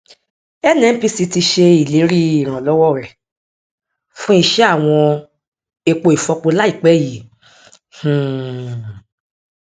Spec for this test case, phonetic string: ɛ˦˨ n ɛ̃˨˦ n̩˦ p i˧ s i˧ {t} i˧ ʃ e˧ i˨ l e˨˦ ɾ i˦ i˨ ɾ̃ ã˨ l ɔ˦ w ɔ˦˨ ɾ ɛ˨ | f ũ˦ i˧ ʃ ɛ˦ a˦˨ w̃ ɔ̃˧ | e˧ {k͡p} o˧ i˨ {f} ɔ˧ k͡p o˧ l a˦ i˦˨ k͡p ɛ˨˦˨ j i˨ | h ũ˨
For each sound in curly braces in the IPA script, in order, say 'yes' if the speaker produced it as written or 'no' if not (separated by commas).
yes, yes, yes